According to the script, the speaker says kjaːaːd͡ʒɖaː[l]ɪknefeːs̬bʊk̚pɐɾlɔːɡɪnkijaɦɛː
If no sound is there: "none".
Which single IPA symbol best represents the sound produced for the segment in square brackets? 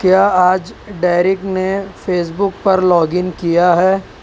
ɾ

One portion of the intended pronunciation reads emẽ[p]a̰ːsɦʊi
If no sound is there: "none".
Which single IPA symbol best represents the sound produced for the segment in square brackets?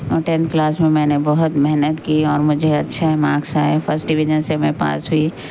p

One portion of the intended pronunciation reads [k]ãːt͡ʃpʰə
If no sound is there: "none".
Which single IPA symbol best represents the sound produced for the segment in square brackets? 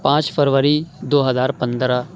p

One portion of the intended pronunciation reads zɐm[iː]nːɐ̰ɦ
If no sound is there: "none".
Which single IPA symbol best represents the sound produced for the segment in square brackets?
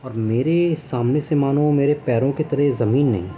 iː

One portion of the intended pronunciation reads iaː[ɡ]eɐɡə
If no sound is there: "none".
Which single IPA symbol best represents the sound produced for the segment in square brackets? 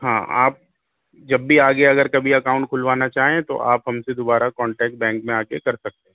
ɡ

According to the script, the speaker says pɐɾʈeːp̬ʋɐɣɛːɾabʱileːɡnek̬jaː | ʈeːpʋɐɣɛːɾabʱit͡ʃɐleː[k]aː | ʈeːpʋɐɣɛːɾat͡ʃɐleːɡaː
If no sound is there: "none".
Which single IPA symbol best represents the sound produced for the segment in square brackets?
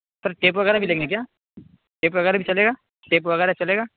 ɡ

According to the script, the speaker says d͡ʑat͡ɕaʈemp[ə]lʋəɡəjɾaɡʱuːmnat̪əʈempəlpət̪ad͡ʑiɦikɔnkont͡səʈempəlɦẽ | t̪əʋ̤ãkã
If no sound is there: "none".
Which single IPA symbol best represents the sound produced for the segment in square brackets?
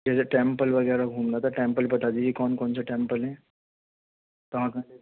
ə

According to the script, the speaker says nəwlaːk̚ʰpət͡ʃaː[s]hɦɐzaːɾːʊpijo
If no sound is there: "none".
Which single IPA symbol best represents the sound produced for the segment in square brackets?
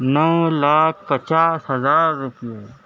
s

